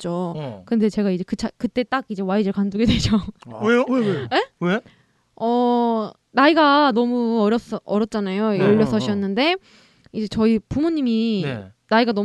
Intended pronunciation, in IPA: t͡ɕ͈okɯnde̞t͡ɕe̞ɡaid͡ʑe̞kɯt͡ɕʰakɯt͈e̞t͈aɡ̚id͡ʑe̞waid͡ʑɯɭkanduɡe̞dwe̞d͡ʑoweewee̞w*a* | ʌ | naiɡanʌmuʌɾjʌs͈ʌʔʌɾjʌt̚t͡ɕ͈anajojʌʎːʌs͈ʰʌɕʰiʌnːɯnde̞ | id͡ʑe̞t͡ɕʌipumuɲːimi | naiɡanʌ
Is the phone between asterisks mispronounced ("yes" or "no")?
yes